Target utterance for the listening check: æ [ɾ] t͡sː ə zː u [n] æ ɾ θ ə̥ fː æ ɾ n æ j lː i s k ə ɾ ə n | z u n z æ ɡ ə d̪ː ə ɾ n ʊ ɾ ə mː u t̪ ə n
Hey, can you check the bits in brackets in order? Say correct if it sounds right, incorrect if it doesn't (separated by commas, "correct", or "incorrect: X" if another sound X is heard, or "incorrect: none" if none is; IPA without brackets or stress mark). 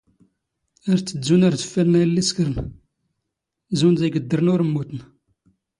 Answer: correct, correct